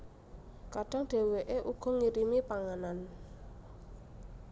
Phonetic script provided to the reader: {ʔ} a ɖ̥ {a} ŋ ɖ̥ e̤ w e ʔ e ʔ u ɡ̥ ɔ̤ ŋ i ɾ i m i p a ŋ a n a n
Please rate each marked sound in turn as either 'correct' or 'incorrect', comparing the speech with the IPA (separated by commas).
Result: incorrect, correct